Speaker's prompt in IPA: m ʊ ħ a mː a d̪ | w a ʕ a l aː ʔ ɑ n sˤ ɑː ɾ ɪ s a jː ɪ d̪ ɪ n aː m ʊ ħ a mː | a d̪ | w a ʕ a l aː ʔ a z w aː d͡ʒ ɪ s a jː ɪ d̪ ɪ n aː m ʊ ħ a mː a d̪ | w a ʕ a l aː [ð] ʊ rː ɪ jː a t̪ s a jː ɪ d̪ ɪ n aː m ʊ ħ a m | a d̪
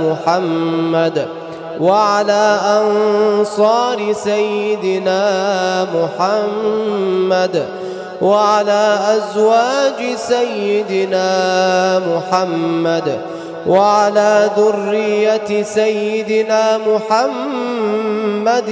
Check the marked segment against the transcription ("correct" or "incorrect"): correct